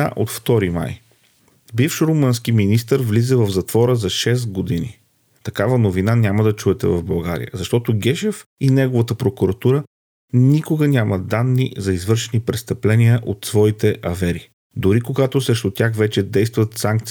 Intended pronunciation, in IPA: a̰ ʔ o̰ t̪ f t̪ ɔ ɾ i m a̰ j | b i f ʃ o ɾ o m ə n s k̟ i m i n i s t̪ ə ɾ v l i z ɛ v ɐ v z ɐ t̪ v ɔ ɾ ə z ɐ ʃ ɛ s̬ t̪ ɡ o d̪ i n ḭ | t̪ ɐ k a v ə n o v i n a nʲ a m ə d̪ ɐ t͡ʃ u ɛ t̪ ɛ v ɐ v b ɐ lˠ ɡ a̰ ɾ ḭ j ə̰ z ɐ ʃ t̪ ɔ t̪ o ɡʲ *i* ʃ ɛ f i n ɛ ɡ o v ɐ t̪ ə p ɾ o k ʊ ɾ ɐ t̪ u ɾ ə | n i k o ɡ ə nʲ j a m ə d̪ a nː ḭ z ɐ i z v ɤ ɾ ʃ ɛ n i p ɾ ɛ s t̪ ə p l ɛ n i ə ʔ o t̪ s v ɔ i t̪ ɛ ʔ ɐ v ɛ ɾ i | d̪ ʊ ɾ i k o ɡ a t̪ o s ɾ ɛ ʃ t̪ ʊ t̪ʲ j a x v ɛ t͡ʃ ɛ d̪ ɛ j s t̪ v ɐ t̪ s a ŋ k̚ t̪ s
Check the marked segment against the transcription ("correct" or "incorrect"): incorrect